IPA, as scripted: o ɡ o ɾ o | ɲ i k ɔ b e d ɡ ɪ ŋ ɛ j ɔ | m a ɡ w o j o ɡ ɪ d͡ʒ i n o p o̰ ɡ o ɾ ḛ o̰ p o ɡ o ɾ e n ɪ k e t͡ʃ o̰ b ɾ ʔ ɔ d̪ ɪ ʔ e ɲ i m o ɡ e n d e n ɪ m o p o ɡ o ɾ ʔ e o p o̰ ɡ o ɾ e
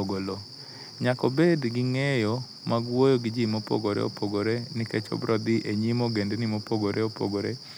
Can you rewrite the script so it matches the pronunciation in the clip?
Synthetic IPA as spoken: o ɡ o l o | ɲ a k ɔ b e d ɡ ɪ ŋ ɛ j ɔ | m a ɡ w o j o ɡ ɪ d͡ʒ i m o p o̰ ɡ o ɾ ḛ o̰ p o ɡ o ɾ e n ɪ k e t͡ʃ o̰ b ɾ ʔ ɔ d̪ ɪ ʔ e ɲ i m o ɡ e n d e n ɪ m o p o ɡ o ɾ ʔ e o p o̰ ɡ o ɾ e

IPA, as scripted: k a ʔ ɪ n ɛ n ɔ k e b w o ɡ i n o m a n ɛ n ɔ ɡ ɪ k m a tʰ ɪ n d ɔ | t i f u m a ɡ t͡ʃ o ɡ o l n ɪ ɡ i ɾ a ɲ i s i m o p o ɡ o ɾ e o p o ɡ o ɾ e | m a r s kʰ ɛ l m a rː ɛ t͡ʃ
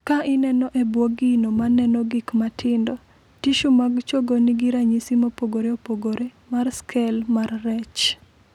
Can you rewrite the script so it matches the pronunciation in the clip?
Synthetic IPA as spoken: k a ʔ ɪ n ɛ n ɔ ʔ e b w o ɡ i n o m a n ɛ n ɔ ɡ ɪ k m a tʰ ɪ n d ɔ | t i ʃ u m a ɡ t͡ʃ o ɡ o n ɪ ɡ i ɾ a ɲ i s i m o p o ɡ o ɾ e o p o ɡ o ɾ e | m a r s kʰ ɛ l m a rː ɛ t͡ʃ

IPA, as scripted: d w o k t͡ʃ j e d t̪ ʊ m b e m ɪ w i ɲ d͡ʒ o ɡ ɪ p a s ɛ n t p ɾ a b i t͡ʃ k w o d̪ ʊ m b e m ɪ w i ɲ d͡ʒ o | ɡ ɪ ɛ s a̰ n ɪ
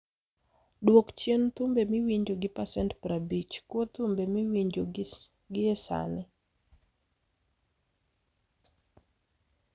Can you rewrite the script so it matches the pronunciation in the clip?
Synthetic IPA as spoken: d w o k t͡ʃ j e n t̪ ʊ m b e m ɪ w i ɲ d͡ʒ o ɡ ɪ p a s ɛ n t p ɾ a b i t͡ʃ k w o t̪ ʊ m b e m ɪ w i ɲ d͡ʒ o | ɡ ɪ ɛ s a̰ n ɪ

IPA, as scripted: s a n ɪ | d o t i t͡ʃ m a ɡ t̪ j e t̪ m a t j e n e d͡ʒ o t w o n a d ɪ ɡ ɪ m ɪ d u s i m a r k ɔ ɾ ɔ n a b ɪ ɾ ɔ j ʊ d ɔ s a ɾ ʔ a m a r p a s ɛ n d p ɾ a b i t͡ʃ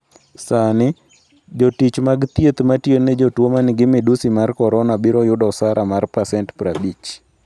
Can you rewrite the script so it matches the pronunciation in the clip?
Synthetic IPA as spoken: s a n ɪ | d͡ʒ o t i t͡ʃ m a ɡ t̪ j e t̪ m a t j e n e d͡ʒ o t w o m a n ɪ ɡ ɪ m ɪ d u s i m a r k ɔ ɾ ɔ n a b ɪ ɾ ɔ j ʊ d ɔ s a ɾ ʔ a m a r p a s ɛ n t p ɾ a b i t͡ʃ

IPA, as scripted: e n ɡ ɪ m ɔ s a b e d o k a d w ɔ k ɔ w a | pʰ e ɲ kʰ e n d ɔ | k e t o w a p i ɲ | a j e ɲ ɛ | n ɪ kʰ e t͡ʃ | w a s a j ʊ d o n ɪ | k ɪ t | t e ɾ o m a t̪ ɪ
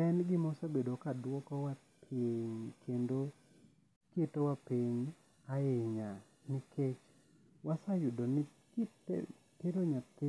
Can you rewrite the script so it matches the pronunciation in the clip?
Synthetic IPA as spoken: ɛ n ɡ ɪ m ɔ s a b e d o k a d w ɔ k ɔ w a | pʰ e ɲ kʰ e n d o | k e t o w a p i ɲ | a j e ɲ a | n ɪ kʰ e t͡ʃ | w a s a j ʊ d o n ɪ | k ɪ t | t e ɾ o ɲ a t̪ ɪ

